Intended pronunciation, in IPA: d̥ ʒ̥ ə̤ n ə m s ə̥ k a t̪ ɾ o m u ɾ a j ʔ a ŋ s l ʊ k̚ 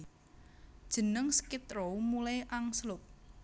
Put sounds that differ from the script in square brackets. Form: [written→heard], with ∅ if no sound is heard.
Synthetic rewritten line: d̥ ʒ̥ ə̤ n ə [m→ŋ] s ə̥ k [a→i] t̪ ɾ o m u [ɾ→l] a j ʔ a ŋ s l ʊ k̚

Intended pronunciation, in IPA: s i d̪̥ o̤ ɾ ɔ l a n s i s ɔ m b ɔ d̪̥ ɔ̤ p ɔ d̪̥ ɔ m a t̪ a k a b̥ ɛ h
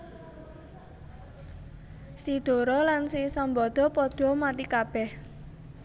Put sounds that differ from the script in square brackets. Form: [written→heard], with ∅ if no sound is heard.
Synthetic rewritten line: s i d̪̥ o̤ ɾ ɔ l a n s i s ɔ m b ɔ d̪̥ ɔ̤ p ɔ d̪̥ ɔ m a t̪ [a→i] k a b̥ ɛ h

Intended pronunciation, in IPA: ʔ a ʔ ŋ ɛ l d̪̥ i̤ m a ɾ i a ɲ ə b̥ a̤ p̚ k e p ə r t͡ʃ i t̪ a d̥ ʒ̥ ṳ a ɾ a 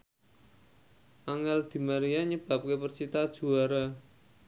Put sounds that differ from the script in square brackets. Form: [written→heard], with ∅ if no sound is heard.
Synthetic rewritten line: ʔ a [ʔ→∅] ŋ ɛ l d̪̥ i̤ m a ɾ i a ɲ ə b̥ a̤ p̚ k e p ə r t͡ʃ i t̪ a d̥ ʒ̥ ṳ a ɾ a

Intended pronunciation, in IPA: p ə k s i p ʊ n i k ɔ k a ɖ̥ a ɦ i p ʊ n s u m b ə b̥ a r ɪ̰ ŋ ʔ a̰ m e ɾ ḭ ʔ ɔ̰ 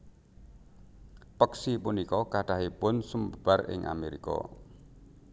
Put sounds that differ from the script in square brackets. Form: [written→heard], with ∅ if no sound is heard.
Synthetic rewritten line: p ə k s i p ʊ n i k ɔ k a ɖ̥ a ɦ i p ʊ n s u m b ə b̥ a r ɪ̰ ŋ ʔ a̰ m e ɾ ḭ [ʔ→k] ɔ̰

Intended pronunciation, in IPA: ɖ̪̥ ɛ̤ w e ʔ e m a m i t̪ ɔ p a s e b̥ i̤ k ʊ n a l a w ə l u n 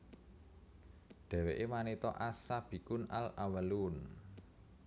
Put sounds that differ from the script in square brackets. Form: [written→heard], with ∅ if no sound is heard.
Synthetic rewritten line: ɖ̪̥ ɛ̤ w e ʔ e m a [m→n] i t̪ ɔ [p→ʔ] a s [e→a] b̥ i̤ k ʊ n a l a w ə l u n

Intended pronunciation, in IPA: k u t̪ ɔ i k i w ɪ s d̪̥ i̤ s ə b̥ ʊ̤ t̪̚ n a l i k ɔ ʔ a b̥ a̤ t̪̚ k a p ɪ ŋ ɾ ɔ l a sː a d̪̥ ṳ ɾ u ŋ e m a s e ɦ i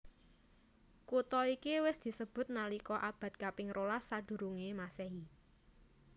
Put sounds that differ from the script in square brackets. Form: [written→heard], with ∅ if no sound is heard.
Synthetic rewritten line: k u t̪ ɔ i k i w ɪ s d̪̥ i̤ s ə b̥ ʊ̤ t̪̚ n a l i k ɔ ʔ a b̥ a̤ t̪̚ k a p ɪ ŋ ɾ [ɔ→o] l a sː a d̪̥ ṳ ɾ u ŋ e m a s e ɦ i

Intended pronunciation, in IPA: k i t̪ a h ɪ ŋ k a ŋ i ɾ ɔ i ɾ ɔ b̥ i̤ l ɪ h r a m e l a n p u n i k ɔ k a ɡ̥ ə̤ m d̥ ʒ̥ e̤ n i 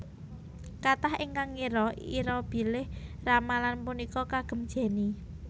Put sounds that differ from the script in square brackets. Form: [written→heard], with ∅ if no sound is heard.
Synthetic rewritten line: k [i→a] t̪ a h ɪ ŋ k a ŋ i ɾ ɔ i ɾ ɔ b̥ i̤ l ɪ h r a m [e→a] l a n p u n i k ɔ k a ɡ̥ ə̤ m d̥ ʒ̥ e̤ n i

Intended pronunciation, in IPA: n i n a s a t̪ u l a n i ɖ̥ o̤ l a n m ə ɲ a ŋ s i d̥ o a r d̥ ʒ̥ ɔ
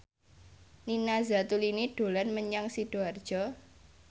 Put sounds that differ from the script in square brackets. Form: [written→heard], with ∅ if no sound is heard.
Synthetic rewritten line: n i n a [s→z] a t̪ u l [a→i] n i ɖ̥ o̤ l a n m ə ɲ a ŋ s i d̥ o a r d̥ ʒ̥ ɔ

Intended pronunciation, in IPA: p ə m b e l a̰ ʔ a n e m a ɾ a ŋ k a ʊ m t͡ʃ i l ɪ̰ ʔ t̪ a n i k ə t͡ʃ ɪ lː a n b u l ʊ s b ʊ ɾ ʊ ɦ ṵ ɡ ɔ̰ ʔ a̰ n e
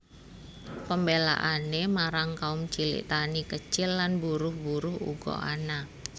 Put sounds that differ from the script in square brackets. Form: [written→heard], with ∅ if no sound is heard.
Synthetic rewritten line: p ə m b e l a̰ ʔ a n e m a ɾ a ŋ k a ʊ m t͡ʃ i l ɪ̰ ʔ t̪ a n i k ə t͡ʃ ɪ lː a n b u [l→ɾ] ʊ [s→h] b [ʊ→u] ɾ ʊ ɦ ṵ ɡ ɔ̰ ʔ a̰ n [e→a]

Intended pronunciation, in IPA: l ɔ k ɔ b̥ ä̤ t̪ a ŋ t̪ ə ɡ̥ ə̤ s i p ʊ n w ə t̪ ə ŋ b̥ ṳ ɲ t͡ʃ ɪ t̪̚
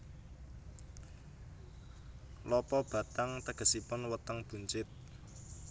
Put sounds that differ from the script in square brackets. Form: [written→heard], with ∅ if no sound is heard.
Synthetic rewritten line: l ɔ [k→p] ɔ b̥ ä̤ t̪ a ŋ t̪ ə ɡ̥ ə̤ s i p ʊ n w ə t̪ ə ŋ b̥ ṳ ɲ t͡ʃ ɪ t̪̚

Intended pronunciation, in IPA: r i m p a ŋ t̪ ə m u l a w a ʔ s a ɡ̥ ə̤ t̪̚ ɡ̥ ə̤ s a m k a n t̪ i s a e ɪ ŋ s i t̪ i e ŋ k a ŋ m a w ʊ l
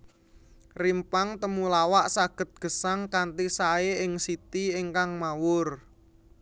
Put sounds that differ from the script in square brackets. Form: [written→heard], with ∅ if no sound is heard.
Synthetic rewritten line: r i m p a ŋ t̪ ə m u l a w a ʔ s a ɡ̥ ə̤ t̪̚ ɡ̥ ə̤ s a [m→ŋ] k a n t̪ i s a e ɪ ŋ s i t̪ i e ŋ k a ŋ m a w ʊ [l→r]

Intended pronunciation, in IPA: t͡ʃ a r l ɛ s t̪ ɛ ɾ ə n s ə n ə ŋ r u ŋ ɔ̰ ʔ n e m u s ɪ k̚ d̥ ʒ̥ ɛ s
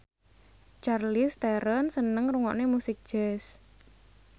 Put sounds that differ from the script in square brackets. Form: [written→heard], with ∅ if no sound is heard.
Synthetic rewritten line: t͡ʃ a r l [ɛ→i] s t̪ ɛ ɾ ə n s ə n ə ŋ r u ŋ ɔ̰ ʔ n e m u s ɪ k̚ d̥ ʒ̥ ɛ s

